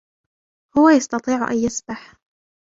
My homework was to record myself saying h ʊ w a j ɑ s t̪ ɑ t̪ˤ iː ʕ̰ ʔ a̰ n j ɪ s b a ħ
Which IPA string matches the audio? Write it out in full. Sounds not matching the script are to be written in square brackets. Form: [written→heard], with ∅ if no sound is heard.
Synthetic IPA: h ʊ w a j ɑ s t̪ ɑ t̪ˤ iː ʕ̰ ʔ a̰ n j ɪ s b a ħ